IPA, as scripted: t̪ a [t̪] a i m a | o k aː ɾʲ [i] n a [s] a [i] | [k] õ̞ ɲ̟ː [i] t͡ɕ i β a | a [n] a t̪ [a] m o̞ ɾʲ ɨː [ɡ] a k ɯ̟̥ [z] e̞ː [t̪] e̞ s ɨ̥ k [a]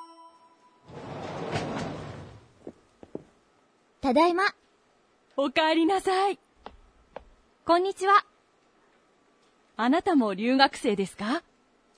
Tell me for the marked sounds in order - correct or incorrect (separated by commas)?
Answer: incorrect, correct, correct, correct, correct, correct, correct, correct, correct, incorrect, incorrect, correct